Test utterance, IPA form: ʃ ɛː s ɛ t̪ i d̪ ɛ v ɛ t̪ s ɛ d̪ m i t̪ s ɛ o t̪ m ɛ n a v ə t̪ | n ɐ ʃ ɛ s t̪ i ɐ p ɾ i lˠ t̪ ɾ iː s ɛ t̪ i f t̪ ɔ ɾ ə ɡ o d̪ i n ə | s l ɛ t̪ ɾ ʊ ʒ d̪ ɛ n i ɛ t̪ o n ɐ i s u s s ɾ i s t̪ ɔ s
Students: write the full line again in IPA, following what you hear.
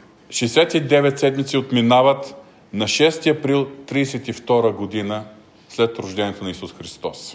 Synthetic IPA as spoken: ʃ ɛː s ɛ t̪ i d̪ ɛ v ɛ t̪ s ɛ d̪ m i t̪ s i o t̪ m i n a v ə t̪ | n ɐ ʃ ɛ s t̪ i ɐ p ɾ i lˠ t̪ ɾ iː s ɛ t̪ i f t̪ ɔ ɾ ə ɡ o d̪ i n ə | s l ɛ t̪ ɾ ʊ ʒ d̪ ɛ n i ɛ t̪ o n ɐ i s u s x ɾ i s t̪ ɔ s